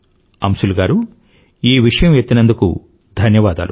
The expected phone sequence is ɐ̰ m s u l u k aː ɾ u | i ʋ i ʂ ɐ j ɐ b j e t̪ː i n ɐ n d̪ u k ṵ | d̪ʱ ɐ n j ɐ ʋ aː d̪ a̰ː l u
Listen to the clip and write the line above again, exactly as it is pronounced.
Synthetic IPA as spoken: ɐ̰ m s u l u ɡ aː ɾ u | iː ʋ i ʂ ɐ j ɐ m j e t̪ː i n ɐ n d̪ u k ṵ | d̪ʱ ɐ n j ɐ ʋ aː d̪ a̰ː l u